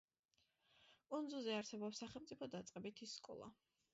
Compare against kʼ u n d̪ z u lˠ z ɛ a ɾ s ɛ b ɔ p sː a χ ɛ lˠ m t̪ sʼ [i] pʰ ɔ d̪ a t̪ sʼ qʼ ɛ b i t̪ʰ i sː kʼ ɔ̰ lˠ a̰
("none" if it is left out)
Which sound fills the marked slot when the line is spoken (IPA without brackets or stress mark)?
i